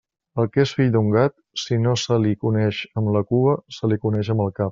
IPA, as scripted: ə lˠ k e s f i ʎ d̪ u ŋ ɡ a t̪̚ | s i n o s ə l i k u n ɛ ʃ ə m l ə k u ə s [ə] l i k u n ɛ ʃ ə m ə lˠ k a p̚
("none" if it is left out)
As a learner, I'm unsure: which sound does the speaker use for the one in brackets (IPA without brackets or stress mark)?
ə